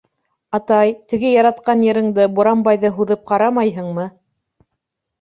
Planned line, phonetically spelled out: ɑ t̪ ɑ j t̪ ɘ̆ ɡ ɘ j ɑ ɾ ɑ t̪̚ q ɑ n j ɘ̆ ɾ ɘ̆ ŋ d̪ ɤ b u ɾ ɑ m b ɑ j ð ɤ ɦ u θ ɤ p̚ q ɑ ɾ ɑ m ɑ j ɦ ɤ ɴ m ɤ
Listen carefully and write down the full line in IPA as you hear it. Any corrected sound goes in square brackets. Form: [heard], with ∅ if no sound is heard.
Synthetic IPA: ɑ t̪ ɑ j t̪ ɘ̆ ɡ ɘ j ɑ ɾ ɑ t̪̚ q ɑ n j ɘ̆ ɾ ɘ̆ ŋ d̪ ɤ b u ɾ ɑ m b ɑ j ð ɤ ɦ u [ð] ɤ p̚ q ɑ ɾ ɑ m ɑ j ɦ ɤ ɴ m ɤ